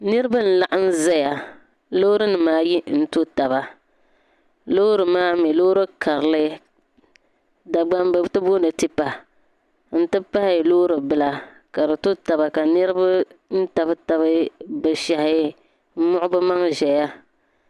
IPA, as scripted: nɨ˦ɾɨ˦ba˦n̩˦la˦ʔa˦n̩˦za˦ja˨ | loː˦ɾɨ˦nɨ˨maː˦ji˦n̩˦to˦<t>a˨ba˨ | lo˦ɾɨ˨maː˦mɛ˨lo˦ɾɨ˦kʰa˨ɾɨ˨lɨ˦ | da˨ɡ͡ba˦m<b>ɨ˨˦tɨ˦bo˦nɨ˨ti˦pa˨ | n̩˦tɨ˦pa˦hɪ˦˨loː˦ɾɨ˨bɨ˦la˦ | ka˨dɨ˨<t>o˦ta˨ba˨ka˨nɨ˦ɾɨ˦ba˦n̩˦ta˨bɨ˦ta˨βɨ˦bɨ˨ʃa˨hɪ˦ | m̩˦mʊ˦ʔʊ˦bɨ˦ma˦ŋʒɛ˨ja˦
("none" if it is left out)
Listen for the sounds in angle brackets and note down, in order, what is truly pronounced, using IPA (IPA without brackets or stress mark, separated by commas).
t, b, t